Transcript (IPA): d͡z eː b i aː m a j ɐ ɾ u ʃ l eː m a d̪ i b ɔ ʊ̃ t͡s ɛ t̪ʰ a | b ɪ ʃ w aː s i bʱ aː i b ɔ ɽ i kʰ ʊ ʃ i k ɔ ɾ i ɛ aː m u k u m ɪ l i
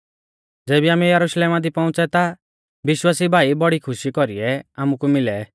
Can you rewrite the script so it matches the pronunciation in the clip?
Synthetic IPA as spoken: d͡z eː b i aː m ɛ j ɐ ɾ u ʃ l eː m a d̪ i p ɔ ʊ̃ t͡s ɛ t̪ a | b ɪ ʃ w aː s i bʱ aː i b ɔ ɽ i kʰ ʊ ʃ i k ɔ ɾ i ɛ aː m u k u m ɪ l ɛ